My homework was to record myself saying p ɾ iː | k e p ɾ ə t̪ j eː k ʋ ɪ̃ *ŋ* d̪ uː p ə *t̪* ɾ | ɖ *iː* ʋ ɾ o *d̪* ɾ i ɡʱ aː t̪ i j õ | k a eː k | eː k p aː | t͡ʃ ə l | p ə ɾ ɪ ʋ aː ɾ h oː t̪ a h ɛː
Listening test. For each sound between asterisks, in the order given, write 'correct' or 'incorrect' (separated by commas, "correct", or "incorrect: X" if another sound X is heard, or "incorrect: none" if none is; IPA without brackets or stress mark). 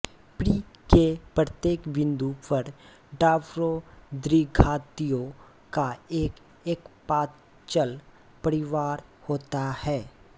incorrect: n, incorrect: none, incorrect: aː, correct